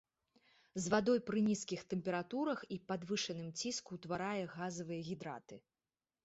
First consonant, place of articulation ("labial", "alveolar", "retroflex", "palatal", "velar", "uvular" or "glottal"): alveolar